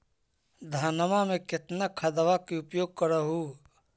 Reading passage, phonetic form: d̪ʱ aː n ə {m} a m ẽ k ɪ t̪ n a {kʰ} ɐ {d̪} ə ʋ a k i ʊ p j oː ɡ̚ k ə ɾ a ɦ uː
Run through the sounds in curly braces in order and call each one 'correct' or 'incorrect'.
correct, correct, correct

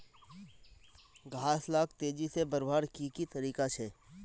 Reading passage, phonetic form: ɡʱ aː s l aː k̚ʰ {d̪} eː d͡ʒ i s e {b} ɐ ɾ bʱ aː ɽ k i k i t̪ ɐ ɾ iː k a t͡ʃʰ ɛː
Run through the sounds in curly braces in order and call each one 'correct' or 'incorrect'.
incorrect: t̪, correct

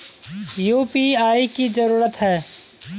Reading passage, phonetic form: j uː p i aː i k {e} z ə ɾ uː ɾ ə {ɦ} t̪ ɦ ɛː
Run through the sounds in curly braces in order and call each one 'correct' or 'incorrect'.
incorrect: i, incorrect: none

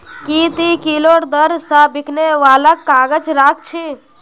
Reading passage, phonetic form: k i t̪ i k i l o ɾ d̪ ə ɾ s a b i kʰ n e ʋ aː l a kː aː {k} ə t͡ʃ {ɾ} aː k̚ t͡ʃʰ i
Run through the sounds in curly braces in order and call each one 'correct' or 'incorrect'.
incorrect: ɡ, correct

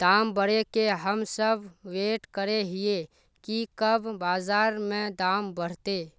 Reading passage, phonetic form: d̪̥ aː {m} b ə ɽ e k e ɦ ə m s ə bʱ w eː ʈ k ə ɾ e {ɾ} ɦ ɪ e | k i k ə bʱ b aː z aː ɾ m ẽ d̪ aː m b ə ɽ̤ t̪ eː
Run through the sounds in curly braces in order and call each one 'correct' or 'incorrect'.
correct, incorrect: none

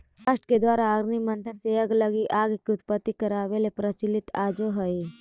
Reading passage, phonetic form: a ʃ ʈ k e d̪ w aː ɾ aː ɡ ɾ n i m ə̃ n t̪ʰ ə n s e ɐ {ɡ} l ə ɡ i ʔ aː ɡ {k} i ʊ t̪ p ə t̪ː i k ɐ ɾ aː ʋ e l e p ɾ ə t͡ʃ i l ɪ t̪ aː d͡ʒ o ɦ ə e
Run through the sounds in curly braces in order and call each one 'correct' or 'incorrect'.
correct, correct

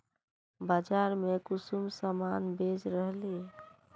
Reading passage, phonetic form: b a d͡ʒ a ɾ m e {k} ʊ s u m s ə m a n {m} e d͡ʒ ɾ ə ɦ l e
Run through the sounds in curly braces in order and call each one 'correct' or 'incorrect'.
correct, incorrect: b

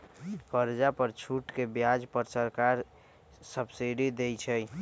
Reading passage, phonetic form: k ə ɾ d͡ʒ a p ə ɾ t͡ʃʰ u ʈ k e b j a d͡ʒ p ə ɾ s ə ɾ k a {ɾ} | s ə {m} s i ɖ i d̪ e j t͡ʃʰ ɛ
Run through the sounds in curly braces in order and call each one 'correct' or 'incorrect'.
correct, incorrect: b

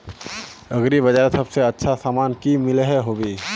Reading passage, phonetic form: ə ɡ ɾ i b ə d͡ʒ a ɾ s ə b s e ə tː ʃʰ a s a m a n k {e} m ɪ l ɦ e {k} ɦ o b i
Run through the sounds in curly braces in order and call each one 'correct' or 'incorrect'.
incorrect: i, incorrect: none

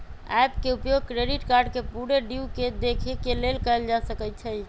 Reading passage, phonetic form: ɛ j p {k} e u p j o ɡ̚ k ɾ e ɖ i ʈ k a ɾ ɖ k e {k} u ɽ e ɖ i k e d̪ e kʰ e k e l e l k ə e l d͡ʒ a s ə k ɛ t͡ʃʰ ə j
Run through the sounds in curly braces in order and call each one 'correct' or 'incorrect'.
correct, incorrect: p

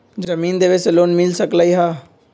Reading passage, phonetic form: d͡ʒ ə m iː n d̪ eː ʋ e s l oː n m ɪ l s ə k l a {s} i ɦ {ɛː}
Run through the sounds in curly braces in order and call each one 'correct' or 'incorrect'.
incorrect: none, incorrect: aː

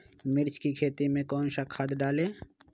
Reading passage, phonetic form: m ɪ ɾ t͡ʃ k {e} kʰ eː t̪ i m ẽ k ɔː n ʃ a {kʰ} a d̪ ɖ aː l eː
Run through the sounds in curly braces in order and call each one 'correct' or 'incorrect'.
incorrect: i, correct

